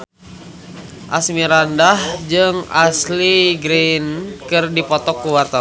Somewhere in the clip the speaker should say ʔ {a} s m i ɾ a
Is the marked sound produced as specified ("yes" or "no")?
yes